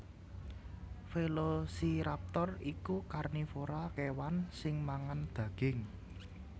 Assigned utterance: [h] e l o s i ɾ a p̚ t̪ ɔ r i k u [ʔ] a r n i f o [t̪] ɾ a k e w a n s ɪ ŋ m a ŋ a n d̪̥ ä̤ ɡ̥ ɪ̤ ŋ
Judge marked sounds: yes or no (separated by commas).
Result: no, no, no